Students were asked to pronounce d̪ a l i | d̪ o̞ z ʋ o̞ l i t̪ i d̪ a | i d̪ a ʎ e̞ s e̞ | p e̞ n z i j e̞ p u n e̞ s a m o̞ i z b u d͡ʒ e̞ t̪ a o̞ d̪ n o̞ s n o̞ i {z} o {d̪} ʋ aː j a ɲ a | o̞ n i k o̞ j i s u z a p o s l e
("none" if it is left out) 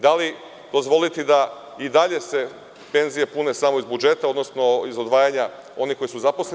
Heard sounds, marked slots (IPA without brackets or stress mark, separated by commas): z, d̪